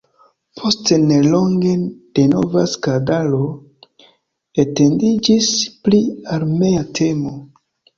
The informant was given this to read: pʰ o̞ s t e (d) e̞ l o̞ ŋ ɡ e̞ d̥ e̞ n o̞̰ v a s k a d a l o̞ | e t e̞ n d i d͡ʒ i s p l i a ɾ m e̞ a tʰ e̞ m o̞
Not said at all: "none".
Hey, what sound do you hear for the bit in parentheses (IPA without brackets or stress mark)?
n